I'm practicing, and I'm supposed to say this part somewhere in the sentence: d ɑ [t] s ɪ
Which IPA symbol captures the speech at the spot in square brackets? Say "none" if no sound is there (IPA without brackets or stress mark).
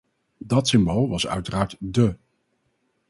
t